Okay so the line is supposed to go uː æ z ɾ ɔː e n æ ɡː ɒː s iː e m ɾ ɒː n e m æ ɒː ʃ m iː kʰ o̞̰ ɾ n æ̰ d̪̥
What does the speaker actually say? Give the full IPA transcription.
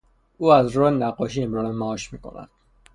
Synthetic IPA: uː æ z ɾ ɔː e n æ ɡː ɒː ʃ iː e m ɾ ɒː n e m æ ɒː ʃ m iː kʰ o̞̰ n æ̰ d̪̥